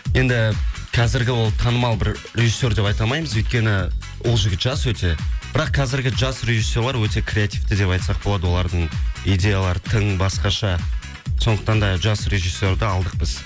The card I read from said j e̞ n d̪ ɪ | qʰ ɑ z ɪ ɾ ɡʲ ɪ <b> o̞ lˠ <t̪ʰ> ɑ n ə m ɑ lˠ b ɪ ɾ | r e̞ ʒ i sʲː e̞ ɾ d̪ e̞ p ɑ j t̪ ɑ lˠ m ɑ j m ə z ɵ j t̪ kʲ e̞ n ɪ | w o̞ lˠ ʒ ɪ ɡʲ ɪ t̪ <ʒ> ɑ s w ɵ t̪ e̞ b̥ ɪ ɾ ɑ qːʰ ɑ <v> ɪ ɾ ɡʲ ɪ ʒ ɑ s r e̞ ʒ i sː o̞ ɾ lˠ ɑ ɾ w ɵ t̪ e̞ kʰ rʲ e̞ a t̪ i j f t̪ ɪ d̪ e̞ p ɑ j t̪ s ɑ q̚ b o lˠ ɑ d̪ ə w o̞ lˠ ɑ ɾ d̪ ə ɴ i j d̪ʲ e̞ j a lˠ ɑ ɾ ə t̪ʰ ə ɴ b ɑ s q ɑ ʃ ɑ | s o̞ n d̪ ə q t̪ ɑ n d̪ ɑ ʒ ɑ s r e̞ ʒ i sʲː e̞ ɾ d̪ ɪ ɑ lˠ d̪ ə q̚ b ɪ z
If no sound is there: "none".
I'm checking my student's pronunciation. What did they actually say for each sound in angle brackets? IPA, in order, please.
w, t̪ʰ, ʒ, z

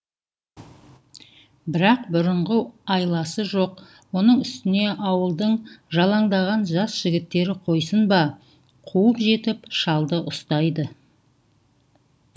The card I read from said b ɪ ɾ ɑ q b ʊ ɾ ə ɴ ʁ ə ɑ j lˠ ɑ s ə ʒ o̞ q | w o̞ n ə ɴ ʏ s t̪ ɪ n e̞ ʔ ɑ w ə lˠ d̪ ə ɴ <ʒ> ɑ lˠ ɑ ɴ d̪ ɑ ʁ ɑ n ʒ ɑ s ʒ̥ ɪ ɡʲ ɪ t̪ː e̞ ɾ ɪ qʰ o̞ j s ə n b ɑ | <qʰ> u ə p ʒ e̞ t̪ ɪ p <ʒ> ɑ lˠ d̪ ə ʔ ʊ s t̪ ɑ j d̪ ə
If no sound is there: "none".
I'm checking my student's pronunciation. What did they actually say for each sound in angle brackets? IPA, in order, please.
ʒ, qʰ, ʃ

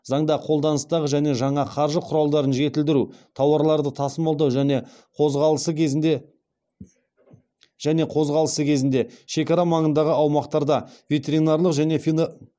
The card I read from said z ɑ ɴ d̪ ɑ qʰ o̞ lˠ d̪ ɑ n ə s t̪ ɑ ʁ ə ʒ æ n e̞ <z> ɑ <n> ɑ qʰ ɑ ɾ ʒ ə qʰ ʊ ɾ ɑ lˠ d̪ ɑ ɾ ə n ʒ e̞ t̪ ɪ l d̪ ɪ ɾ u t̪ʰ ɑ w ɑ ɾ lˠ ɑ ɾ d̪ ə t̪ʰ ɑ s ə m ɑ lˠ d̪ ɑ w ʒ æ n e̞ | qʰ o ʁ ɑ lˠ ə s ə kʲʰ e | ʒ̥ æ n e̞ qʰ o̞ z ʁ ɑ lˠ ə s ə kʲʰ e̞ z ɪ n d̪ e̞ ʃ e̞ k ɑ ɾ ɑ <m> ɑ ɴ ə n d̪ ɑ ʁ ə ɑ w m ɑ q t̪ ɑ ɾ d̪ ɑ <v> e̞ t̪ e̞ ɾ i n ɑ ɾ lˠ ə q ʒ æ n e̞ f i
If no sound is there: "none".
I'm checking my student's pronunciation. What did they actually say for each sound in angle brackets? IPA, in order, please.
ʒ, ɴ, m, v

